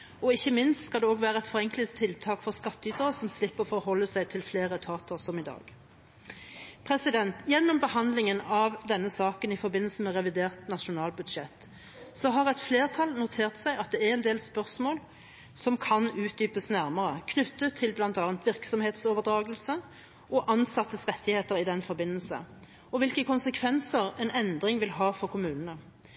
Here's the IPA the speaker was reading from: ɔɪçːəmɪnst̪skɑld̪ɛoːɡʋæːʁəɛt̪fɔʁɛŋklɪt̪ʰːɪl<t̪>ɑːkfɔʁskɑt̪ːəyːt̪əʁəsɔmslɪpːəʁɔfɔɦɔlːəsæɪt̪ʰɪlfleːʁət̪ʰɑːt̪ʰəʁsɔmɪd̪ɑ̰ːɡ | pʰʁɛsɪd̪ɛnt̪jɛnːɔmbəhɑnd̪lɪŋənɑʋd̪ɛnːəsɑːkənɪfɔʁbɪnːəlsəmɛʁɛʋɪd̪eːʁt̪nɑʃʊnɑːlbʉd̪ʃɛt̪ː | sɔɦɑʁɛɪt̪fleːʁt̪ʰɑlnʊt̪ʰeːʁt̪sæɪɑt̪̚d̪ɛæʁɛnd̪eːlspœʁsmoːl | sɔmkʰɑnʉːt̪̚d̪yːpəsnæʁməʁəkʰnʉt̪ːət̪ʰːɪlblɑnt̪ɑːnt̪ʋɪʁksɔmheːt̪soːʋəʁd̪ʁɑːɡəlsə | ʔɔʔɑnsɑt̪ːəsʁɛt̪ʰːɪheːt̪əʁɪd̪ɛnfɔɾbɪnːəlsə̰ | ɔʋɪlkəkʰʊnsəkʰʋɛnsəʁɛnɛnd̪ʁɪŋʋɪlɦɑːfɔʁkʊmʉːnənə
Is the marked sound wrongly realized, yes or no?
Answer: yes